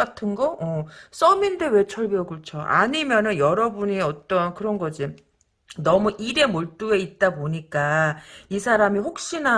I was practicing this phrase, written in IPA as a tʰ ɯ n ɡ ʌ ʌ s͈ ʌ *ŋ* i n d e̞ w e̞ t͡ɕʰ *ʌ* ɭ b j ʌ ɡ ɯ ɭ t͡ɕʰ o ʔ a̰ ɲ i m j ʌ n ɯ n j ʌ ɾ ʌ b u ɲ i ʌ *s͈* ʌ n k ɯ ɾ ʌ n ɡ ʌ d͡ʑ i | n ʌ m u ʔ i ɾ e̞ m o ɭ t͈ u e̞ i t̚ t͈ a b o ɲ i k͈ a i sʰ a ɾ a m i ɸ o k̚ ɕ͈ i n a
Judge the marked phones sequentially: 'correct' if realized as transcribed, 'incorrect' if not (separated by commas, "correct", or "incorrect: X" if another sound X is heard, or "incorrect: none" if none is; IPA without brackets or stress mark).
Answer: incorrect: m, correct, incorrect: t͈